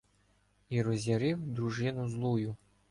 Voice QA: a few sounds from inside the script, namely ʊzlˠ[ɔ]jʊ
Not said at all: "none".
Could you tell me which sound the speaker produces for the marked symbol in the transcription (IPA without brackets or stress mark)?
u